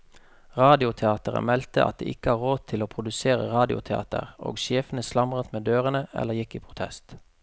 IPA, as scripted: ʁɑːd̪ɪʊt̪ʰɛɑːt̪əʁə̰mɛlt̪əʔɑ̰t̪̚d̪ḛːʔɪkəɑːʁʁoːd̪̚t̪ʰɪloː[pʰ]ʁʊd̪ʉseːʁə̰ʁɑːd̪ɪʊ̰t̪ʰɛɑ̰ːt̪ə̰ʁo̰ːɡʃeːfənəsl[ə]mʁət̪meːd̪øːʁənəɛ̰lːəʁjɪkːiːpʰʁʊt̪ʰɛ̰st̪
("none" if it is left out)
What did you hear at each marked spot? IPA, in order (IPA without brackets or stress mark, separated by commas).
pʰ, ɑ